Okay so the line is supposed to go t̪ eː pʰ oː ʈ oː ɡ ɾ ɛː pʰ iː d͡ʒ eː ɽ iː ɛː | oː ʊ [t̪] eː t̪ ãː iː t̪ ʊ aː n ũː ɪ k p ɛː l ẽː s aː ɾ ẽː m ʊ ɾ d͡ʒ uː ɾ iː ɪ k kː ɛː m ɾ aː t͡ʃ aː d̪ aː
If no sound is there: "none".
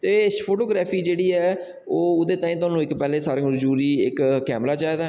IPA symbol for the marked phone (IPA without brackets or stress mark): d̪